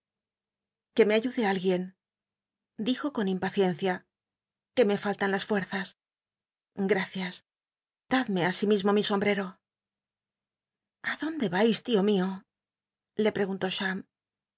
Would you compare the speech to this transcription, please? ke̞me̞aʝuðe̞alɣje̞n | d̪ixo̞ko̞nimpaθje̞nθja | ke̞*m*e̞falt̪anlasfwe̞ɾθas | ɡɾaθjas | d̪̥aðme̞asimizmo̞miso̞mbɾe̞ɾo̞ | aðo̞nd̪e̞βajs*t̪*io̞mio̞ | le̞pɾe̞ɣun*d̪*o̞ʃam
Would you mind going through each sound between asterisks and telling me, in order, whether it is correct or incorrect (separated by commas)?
correct, correct, incorrect